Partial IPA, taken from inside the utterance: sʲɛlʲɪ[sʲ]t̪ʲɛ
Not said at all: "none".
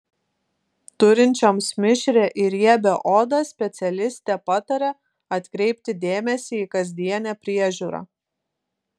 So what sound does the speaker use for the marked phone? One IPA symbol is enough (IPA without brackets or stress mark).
sʲ